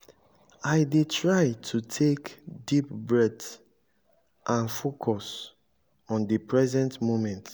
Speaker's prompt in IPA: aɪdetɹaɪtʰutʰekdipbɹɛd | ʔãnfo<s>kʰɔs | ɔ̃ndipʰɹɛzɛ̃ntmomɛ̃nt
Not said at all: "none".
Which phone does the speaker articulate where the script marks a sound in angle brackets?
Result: none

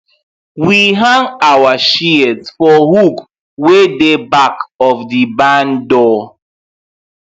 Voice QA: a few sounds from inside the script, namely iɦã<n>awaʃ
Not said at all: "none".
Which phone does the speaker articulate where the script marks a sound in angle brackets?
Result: ŋ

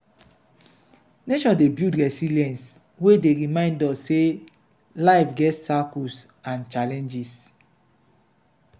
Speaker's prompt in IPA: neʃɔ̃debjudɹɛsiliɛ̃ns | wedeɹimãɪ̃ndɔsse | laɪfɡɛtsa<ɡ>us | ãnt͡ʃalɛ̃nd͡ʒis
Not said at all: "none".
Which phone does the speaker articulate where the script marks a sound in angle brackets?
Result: k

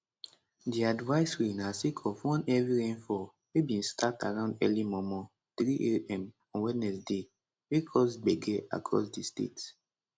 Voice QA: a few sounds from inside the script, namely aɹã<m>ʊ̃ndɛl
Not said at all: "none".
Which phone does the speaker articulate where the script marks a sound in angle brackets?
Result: none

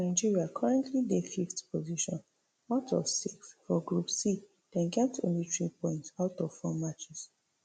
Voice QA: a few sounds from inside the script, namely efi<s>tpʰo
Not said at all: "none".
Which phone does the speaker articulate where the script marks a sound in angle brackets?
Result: f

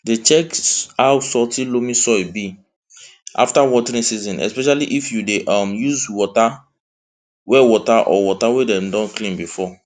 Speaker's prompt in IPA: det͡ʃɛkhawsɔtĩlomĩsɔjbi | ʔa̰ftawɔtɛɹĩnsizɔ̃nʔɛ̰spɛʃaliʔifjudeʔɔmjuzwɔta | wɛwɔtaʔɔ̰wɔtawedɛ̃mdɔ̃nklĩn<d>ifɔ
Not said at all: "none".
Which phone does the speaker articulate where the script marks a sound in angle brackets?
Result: b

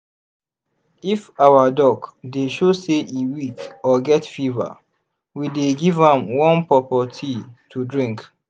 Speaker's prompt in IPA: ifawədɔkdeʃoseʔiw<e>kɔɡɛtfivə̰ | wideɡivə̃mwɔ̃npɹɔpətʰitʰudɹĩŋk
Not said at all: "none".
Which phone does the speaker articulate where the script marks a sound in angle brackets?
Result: i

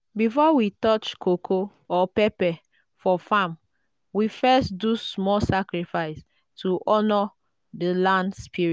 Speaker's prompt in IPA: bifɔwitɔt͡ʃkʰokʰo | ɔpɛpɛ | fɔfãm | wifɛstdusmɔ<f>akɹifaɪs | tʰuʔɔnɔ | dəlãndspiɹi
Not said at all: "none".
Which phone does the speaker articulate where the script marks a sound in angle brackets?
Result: s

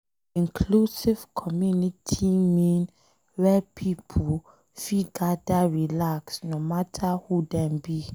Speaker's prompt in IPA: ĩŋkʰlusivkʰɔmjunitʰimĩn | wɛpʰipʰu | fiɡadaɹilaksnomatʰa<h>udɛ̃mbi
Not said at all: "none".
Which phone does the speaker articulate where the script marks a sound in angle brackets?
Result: h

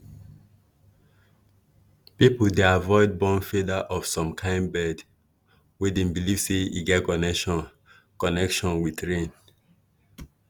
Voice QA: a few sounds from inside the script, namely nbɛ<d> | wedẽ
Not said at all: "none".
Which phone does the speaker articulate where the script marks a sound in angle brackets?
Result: d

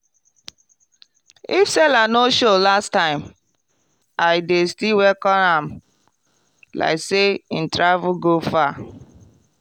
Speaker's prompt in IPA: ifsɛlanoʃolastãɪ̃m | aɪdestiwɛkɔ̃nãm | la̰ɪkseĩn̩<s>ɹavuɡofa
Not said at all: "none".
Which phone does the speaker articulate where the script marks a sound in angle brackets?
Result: t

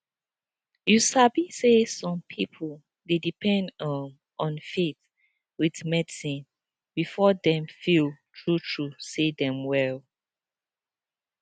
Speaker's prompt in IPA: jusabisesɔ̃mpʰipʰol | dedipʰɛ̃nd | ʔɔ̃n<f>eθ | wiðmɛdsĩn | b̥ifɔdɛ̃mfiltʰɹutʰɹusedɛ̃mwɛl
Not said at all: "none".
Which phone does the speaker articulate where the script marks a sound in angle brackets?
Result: f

